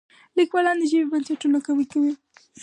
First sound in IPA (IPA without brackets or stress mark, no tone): l